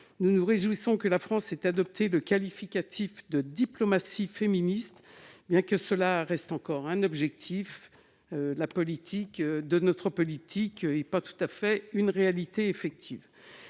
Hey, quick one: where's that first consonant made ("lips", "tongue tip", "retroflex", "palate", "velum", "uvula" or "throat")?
tongue tip